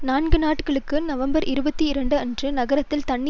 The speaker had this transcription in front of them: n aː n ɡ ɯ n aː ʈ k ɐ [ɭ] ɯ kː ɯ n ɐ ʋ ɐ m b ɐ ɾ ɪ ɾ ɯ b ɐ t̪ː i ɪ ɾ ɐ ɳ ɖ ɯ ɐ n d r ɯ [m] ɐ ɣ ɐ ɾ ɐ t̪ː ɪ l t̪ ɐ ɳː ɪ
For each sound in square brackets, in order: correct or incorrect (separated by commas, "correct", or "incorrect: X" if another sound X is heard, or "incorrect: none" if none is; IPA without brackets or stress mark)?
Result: correct, incorrect: n